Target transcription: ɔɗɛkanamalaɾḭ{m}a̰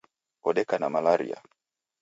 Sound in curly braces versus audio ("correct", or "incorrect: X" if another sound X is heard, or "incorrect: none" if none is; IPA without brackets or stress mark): incorrect: none